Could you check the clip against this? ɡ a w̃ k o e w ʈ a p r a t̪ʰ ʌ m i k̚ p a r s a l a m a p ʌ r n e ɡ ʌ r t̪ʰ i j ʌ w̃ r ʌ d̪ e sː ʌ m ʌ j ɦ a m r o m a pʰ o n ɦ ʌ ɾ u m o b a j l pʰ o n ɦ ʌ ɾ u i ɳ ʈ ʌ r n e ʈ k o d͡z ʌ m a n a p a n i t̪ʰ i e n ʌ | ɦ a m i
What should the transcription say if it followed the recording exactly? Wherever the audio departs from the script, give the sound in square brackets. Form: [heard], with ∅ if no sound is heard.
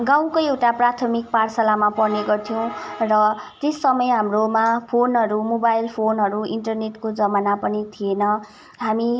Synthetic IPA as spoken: ɡ a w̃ k o e w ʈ a p r a t̪ʰ ʌ m i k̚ p a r s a l a m a p ʌ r n e ɡ ʌ r t̪ʰ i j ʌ w̃ r ʌ [t̪] e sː ʌ m ʌ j ɦ a m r o m a pʰ o n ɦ ʌ ɾ u m o b a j l pʰ o n ɦ ʌ ɾ u i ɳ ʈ ʌ r n e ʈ k o d͡z ʌ m a n a p [ʌ] n i t̪ʰ i e n ʌ | ɦ a m i